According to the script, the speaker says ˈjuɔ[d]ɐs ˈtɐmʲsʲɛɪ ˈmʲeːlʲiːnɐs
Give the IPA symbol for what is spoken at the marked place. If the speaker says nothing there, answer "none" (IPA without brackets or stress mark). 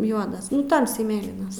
d